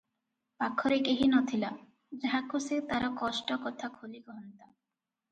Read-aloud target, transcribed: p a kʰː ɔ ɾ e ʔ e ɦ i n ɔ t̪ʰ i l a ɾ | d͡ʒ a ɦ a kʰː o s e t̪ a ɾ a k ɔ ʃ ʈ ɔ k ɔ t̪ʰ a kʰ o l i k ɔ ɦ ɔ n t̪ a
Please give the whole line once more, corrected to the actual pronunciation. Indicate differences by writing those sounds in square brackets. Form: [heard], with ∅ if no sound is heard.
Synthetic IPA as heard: p a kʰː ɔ ɾ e [k] e ɦ i n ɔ t̪ʰ i l a [∅] | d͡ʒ a ɦ a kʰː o s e t̪ a ɾ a k ɔ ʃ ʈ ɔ k ɔ t̪ʰ a kʰ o l i k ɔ ɦ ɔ n t̪ a